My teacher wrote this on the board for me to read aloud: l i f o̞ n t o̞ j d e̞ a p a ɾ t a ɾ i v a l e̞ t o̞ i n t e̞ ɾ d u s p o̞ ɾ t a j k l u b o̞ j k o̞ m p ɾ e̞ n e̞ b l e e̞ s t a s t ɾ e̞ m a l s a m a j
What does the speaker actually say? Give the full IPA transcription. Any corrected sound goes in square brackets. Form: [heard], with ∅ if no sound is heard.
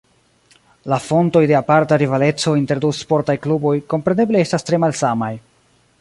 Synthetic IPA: l [a] f o̞ n t o̞ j d e̞ a p a ɾ t a ɾ i v a l e̞ [t͡s] o̞ i n t e̞ ɾ d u s p o̞ ɾ t a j k l u b o̞ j k o̞ m p ɾ e̞ n e̞ b l e e̞ s t a s t ɾ e̞ m a l s a m a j

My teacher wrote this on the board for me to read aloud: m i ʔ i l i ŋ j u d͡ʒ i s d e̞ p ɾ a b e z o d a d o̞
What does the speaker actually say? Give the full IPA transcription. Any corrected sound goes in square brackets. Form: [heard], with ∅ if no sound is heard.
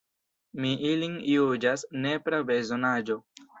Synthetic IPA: m i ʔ i l i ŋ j u d͡ʒ [a] s [n] e̞ p ɾ a b e z o [n] a [d͡ʒ] o̞

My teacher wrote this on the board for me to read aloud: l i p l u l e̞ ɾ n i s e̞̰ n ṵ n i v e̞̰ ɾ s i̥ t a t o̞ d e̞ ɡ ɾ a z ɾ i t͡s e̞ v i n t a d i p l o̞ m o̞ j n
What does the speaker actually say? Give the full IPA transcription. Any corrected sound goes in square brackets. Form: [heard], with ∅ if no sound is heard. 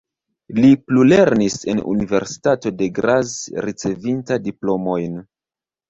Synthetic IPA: l i p l u l e̞ ɾ n i s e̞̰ n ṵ n i v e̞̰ ɾ s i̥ t a t o̞ d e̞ ɡ ɾ a z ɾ i t͡s e̞ v i n t a d i p l o̞ m o̞ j n

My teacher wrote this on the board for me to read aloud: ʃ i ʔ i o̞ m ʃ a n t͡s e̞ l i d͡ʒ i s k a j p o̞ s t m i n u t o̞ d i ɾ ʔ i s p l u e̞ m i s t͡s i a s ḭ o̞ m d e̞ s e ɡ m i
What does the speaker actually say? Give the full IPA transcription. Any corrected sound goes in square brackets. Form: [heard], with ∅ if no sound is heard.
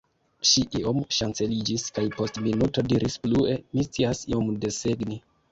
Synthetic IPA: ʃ i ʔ i o̞ m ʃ a n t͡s e̞ l i d͡ʒ i s k a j p o̞ s t m i n u t o̞ d i ɾ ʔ i s p l u e̞ m i s t͡s i a s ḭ o̞ m d e̞ s e ɡ [n] i

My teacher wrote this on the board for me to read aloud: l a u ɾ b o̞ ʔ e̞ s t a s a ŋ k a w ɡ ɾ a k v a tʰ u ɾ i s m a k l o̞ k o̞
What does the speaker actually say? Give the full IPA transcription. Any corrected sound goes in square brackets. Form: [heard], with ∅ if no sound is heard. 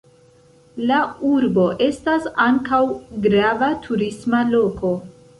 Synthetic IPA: l a u ɾ b o̞ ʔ e̞ s t a s a ŋ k a w ɡ ɾ a [∅] v a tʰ u ɾ i s m a [∅] l o̞ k o̞

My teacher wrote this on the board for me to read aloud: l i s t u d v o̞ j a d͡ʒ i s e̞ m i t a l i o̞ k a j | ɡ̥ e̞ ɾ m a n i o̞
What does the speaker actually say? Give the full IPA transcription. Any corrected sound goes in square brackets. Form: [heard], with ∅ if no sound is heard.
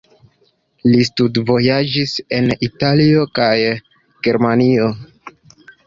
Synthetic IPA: l i s t u d v o̞ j a d͡ʒ i s e̞ [n] i t a l i o̞ k a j | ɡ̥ e̞ ɾ m a n i o̞

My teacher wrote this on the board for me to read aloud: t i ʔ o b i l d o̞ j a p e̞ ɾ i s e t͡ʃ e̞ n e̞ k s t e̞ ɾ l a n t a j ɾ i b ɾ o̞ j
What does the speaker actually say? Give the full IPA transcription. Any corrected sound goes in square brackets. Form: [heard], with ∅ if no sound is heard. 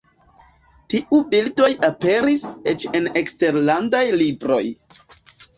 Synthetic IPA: t i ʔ [u] b i l d o̞ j a p e̞ ɾ i s e t͡ʃ e̞ n e̞ k s t e̞ ɾ l a n [d] a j [l] i b ɾ o̞ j

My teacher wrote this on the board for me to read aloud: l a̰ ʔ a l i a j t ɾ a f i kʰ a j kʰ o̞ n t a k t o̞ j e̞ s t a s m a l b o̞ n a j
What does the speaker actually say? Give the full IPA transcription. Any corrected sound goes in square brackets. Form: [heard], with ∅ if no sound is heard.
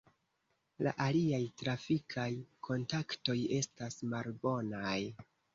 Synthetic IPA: l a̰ ʔ a l i a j t ɾ a f i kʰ a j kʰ o̞ n t a k t o̞ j e̞ s t a s m a l b o̞ n a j

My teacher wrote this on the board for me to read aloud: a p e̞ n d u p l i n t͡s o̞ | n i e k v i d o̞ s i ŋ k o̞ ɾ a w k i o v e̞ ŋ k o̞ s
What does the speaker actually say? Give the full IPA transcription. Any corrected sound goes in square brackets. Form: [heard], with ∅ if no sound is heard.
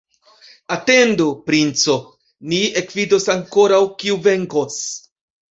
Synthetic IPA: a [t] e̞ n d u p [ɾ] i n t͡s o̞ | n i e k v i d o̞ s [a] ŋ k o̞ ɾ a w k i [u] v e̞ ŋ k o̞ s

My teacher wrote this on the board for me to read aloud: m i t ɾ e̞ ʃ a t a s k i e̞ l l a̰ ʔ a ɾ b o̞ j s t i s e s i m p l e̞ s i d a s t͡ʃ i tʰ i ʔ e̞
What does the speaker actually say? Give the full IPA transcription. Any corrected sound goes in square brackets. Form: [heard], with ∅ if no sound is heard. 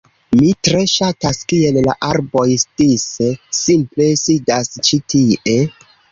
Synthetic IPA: m i t ɾ e̞ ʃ a t a s k i e̞ l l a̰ ʔ a ɾ b o̞ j s t i s e s i m p l e̞ s i d a s t͡ʃ i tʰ i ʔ e̞

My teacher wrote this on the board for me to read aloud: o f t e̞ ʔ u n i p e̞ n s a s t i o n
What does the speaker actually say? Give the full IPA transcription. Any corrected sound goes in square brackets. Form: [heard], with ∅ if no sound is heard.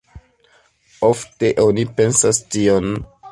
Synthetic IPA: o f t e̞ ʔ [o] n i p e̞ n s a s t i o n

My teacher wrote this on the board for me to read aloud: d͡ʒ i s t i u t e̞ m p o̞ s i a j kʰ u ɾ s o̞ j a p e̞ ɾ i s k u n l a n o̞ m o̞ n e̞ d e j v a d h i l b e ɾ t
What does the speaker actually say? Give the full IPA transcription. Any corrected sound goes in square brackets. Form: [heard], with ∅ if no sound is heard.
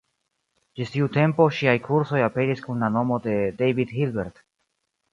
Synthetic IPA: d͡ʒ i s t i u t e̞ m p o̞ [ʃ] i a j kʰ u ɾ s o̞ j a p e̞ ɾ i s k u n l a n o̞ m o̞ [d] e̞ d e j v [i] d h i l b e ɾ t

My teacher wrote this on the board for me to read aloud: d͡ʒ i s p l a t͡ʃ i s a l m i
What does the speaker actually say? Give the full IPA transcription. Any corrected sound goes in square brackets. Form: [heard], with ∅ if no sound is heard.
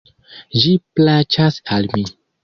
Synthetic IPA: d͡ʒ i [∅] p l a t͡ʃ [a] s a l m i

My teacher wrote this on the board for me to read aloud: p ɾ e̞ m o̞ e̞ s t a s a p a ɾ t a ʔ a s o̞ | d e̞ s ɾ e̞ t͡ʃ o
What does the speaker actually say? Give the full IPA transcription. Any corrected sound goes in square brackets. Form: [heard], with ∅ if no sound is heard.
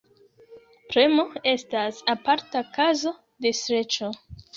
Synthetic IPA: p ɾ e̞ m o̞ e̞ s t a s a p a ɾ t a [k] a [z] o̞ | d e̞ s ɾ e̞ t͡ʃ o

